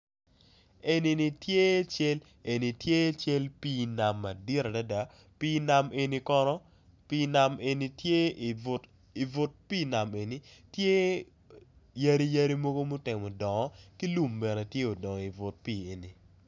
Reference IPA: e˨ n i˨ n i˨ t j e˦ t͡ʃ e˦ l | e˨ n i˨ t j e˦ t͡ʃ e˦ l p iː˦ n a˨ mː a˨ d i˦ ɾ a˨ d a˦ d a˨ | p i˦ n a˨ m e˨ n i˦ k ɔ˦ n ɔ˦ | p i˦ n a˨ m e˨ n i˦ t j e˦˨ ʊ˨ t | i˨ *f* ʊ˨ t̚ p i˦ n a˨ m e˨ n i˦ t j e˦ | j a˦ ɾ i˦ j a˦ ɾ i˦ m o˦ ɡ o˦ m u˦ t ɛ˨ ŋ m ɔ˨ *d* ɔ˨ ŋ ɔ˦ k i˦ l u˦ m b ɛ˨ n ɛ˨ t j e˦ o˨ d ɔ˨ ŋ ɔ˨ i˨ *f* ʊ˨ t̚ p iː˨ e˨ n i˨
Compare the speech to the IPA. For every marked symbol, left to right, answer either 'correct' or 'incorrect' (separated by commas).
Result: incorrect, correct, incorrect